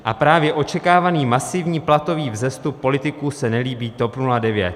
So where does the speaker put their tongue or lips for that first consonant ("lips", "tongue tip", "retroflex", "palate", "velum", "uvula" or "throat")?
throat